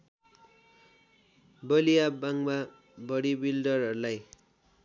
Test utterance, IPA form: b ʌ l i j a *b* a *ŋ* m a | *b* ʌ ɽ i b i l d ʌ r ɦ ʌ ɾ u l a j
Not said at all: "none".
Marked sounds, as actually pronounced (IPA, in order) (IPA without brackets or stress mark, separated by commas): b, ŋ, b